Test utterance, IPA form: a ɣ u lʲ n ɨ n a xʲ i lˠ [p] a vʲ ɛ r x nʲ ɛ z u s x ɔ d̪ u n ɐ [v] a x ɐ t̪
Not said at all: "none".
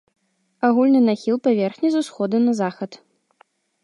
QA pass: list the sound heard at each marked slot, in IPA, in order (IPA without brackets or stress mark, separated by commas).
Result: p, z